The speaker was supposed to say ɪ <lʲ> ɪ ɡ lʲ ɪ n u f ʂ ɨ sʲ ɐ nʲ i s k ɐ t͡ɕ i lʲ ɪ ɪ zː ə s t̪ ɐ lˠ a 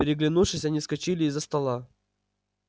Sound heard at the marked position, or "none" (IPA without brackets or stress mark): ɾʲ